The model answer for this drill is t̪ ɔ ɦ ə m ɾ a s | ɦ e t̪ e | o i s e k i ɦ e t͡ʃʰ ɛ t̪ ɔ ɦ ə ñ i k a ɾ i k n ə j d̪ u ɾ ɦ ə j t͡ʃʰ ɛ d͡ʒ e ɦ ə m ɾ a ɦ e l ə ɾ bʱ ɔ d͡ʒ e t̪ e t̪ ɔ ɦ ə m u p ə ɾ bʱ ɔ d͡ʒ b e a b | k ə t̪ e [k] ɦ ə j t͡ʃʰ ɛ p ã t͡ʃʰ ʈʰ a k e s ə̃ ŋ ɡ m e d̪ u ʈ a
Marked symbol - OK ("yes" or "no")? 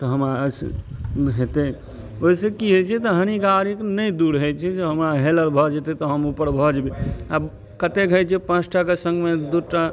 yes